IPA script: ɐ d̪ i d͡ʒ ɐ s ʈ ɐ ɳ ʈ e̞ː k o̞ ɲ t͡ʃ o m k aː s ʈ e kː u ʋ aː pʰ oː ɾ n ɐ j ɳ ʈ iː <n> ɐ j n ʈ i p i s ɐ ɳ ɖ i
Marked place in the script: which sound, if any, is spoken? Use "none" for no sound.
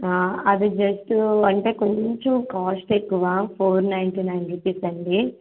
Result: n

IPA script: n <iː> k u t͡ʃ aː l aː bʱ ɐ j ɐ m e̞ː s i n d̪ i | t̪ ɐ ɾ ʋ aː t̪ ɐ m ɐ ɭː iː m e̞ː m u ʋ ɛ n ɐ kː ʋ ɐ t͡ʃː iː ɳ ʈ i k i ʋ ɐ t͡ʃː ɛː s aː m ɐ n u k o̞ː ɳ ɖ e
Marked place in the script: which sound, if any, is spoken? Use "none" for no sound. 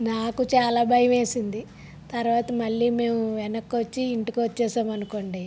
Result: aː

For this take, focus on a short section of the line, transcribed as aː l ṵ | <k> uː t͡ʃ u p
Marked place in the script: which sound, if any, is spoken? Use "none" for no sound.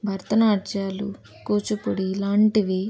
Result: k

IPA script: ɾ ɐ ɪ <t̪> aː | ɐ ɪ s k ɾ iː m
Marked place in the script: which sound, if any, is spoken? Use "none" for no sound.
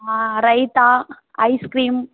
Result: t̪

